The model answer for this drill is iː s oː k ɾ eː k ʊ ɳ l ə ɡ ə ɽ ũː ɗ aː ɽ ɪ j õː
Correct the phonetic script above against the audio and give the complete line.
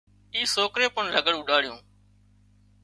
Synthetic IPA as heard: iː s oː k ɾ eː p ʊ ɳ l ə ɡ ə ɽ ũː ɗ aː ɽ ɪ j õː